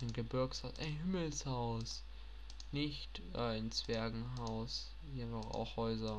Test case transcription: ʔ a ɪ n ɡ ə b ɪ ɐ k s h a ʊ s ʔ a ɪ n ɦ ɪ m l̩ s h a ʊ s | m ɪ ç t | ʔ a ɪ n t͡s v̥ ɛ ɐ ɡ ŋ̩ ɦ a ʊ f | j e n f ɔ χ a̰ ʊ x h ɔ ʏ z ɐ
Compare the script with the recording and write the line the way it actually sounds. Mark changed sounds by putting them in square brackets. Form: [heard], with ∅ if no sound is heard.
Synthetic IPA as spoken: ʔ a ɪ n ɡ ə b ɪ ɐ k s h a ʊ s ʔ a ɪ n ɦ ɪ m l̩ s h a ʊ s | [n] ɪ ç t | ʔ a ɪ n t͡s v̥ ɛ ɐ ɡ ŋ̩ ɦ a ʊ [s] | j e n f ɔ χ a̰ ʊ x h ɔ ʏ z ɐ